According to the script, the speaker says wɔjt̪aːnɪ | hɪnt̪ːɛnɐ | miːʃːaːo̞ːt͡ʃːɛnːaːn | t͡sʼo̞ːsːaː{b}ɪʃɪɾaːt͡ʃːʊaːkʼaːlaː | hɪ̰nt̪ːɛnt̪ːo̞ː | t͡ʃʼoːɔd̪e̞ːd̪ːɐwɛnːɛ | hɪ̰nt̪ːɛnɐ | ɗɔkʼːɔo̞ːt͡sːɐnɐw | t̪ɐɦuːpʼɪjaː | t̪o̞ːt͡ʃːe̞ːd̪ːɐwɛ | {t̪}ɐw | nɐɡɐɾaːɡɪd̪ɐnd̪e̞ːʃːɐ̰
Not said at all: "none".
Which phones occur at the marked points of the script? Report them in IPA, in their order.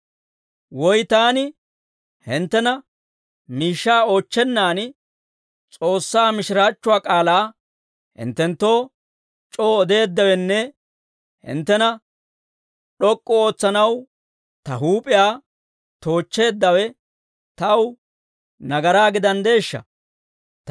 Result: m, t̪

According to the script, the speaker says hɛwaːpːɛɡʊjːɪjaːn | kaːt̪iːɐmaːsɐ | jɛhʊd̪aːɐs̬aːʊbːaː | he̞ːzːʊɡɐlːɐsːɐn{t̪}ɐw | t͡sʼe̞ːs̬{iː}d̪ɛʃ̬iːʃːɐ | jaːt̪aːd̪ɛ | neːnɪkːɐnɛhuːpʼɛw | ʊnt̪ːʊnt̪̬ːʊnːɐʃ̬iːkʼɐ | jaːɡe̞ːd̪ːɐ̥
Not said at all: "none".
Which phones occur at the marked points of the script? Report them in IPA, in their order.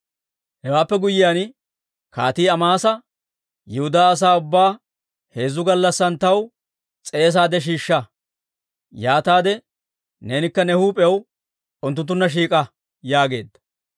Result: t̪, aː

